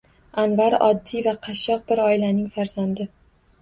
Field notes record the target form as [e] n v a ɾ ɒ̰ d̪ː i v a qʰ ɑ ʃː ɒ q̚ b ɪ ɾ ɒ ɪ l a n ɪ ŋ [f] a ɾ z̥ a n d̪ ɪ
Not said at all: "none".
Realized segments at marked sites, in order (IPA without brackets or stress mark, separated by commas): a, f